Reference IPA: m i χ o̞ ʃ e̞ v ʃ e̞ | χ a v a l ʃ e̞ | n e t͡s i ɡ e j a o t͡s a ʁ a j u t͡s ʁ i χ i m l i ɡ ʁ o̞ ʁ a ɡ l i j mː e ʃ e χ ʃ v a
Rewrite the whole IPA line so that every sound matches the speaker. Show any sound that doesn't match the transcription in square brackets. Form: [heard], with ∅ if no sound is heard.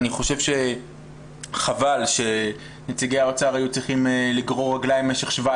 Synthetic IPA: [n] i χ o̞ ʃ e̞ v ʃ e̞ | χ a v a l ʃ e̞ | n e t͡s i ɡ e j a o t͡s a ʁ a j u t͡s ʁ i χ i m l i ɡ ʁ o̞ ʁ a ɡ l [a] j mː e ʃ e χ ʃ v a